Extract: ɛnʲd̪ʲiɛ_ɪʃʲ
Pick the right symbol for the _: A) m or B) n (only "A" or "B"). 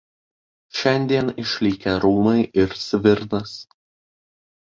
B